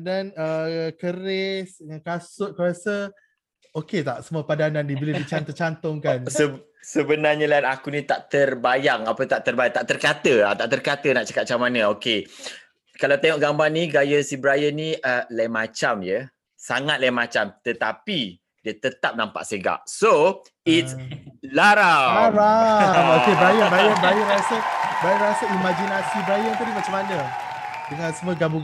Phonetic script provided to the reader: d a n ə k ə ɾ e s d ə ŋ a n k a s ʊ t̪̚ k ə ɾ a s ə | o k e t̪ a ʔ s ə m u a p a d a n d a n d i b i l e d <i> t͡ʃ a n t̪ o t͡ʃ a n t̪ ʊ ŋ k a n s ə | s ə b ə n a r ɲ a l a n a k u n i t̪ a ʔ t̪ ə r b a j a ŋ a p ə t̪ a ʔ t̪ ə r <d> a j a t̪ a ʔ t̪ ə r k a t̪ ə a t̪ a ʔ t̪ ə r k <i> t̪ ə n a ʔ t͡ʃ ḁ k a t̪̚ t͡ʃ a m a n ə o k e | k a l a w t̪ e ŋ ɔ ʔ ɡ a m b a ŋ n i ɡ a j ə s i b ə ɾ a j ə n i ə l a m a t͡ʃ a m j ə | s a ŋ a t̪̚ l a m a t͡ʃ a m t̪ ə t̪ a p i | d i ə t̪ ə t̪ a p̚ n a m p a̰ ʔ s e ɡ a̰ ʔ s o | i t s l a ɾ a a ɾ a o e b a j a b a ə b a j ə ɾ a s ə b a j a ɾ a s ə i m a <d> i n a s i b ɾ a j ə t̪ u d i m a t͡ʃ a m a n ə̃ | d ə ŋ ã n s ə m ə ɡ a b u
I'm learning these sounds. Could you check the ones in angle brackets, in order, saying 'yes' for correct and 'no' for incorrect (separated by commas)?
yes, no, no, no